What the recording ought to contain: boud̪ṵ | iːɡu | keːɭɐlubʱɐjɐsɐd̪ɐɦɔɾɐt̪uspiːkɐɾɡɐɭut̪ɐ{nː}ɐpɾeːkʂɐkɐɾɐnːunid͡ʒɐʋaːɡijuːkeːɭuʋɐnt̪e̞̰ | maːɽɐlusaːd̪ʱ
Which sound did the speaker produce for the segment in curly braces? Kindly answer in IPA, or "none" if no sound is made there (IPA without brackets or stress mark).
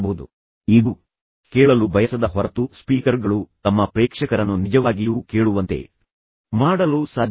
mː